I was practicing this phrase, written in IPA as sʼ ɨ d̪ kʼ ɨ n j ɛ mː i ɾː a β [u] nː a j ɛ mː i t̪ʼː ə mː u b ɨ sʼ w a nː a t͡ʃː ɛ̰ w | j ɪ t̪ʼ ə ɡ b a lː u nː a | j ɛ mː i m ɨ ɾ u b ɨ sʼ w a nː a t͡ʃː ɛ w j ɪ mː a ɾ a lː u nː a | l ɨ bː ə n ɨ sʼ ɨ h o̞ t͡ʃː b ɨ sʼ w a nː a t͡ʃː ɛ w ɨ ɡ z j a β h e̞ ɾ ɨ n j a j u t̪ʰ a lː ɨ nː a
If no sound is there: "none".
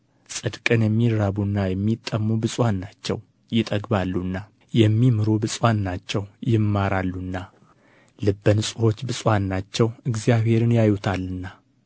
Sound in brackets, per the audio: u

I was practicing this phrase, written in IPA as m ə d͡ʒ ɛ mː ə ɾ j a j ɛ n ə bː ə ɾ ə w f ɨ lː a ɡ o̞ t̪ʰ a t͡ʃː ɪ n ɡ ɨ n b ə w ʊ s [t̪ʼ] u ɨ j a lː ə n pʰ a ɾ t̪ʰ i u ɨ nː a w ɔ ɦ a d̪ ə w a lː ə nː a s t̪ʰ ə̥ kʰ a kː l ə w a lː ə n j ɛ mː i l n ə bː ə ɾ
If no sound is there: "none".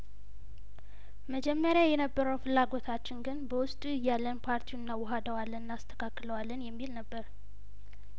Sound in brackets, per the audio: t̪ʼ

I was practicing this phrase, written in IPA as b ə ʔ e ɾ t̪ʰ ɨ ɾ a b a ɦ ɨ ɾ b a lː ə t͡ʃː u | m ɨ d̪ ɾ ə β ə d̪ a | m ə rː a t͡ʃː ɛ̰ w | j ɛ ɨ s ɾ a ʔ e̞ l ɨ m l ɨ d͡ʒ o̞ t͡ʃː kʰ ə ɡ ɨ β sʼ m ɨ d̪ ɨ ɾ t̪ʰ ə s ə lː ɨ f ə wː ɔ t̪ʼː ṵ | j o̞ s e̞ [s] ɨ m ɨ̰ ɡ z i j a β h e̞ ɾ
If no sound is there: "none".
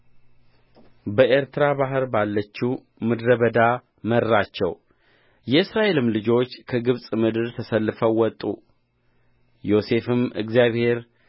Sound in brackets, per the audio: f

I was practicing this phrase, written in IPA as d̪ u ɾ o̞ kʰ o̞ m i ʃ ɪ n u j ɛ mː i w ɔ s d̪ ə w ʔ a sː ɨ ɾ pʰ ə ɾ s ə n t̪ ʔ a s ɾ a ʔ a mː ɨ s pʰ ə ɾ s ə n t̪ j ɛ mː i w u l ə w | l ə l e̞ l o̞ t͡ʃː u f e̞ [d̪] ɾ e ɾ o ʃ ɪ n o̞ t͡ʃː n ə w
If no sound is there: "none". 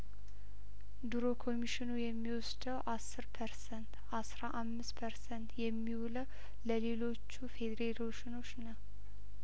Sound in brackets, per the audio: d̪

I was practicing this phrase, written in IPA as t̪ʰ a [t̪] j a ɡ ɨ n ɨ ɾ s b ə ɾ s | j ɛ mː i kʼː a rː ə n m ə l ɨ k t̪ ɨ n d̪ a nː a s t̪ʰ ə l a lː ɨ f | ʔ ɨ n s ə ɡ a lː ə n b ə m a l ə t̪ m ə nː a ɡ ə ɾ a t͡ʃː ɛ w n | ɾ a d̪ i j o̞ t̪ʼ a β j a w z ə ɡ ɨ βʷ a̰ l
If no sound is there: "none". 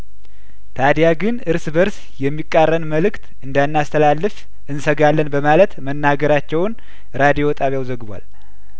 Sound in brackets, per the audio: d̪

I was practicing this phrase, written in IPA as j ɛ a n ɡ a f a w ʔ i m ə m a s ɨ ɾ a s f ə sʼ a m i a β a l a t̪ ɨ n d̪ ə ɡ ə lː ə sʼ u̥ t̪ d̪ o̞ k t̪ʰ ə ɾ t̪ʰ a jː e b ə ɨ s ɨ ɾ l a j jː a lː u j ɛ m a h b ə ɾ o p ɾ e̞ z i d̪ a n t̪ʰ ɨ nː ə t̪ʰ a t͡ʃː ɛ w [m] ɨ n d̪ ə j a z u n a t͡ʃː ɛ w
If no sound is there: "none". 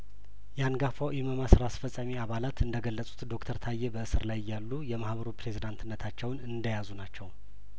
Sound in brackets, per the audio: n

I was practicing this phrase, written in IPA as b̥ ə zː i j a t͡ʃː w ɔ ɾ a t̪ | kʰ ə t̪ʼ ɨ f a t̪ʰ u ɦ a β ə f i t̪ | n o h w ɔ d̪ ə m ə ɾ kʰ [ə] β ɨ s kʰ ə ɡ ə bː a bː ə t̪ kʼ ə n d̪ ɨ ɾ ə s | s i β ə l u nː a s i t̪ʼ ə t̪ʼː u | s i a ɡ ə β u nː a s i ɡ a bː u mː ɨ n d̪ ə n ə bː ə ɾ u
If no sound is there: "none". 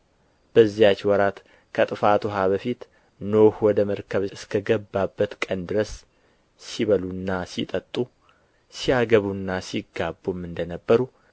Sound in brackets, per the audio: ə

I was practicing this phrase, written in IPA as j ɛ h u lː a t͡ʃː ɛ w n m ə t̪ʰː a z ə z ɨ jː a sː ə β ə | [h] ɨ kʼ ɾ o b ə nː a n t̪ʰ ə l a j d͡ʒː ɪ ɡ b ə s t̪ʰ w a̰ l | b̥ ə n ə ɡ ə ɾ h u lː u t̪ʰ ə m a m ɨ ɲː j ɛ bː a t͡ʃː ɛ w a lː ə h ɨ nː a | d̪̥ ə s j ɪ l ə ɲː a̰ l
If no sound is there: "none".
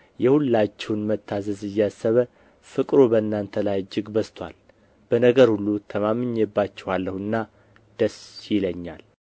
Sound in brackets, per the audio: f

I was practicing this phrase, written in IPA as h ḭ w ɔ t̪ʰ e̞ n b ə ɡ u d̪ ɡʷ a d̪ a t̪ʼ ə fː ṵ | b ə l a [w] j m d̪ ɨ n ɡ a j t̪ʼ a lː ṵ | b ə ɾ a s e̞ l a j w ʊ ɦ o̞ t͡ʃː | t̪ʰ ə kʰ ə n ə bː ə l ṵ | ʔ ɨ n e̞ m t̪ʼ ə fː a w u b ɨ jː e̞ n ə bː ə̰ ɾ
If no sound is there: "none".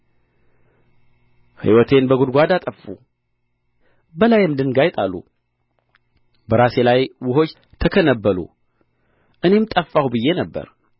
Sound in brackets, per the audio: none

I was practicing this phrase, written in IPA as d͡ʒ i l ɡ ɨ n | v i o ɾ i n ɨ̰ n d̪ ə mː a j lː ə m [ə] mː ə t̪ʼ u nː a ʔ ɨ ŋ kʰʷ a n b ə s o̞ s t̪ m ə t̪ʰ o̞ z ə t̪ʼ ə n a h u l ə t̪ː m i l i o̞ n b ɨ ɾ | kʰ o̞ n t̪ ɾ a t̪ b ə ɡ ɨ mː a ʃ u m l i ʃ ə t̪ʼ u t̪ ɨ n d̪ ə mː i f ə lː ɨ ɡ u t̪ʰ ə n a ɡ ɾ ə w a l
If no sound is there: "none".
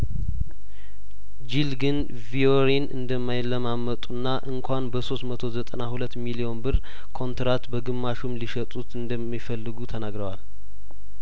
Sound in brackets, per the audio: a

